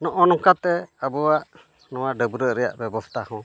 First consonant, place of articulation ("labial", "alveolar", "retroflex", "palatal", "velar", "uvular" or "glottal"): alveolar